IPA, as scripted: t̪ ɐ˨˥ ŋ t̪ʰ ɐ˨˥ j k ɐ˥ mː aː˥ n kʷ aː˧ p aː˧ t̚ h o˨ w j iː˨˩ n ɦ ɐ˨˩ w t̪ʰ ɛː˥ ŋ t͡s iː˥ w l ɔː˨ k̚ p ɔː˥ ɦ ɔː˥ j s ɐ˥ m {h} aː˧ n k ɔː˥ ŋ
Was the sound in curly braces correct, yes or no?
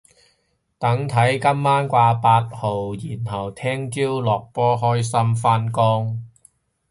no